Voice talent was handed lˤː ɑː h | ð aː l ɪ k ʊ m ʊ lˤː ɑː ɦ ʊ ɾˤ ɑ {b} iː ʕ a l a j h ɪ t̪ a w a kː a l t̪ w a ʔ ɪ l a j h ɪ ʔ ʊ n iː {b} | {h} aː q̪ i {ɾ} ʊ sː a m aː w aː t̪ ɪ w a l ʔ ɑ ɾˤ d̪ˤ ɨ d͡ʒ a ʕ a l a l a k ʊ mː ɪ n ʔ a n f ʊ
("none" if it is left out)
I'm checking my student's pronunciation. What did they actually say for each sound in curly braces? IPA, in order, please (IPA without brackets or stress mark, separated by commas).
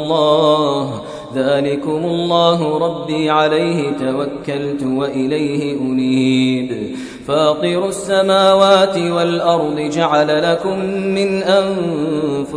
bː, b, f, ɾ